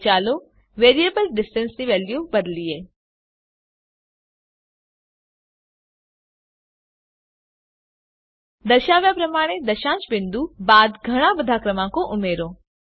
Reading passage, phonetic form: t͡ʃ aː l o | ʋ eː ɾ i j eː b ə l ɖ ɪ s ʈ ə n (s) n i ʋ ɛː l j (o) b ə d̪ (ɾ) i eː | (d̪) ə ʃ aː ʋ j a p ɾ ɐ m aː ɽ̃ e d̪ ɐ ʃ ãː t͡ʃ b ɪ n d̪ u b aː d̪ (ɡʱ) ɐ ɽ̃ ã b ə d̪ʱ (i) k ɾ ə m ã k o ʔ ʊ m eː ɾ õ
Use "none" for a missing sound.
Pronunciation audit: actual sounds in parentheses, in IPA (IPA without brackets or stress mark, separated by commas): s, u, l, d̪, ɡʱ, a